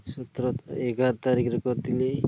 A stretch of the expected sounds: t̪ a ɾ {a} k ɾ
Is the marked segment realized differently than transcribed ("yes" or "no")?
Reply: yes